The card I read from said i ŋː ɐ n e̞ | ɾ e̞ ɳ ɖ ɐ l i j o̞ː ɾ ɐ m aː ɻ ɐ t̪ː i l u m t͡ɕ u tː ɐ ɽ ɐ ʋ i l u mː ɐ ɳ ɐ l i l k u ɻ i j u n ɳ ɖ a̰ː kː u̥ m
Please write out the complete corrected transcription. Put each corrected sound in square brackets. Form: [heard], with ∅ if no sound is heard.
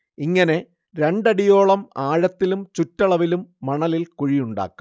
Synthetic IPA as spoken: i ŋː ɐ n e̞ | ɾ e̞ ɳ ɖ ɐ [ɽ] i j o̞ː [ɭ] ɐ m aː ɻ ɐ t̪ː i l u m t͡ɕ u tː ɐ [ɭ] ɐ ʋ i l u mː ɐ ɳ ɐ l i l k u ɻ i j u [∅] ɳ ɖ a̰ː kː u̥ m